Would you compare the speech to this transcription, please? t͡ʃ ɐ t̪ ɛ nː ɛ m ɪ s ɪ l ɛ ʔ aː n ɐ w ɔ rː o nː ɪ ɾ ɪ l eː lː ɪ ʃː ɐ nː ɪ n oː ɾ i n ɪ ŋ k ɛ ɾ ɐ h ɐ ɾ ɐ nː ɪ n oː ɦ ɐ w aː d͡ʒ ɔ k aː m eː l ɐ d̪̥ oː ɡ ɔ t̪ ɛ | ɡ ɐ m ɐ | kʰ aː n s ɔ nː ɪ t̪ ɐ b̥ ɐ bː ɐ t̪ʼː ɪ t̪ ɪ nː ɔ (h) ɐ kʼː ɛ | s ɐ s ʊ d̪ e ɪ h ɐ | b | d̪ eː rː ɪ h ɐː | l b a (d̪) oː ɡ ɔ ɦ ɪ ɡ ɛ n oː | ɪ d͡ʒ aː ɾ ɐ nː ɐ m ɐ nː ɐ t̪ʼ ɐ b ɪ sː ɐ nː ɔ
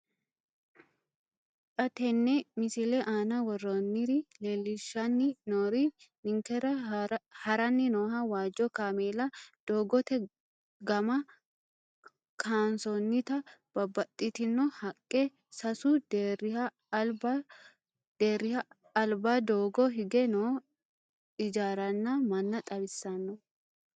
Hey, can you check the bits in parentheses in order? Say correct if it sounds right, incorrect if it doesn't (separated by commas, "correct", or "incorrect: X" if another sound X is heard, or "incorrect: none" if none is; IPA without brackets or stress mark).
correct, correct